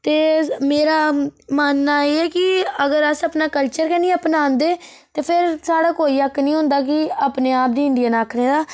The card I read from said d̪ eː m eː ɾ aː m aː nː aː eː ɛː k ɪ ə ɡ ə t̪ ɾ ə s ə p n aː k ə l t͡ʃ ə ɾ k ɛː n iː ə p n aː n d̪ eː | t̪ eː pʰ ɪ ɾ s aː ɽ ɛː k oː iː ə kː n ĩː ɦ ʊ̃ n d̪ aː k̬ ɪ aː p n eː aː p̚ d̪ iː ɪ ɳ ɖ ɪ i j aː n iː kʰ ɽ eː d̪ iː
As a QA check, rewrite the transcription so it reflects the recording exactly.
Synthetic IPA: t̪ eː m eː ɾ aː m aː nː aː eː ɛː k ɪ ə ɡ ə ɾ ə s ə p n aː k ə l t͡ʃ ə ɾ k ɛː n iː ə p n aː n d̪ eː | t̪ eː pʰ ɪ ɾ s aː ɽ aː k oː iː ə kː n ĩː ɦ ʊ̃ n d̪ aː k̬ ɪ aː p n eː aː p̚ d̪ iː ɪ ɳ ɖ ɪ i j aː n aː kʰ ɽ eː d̪ aː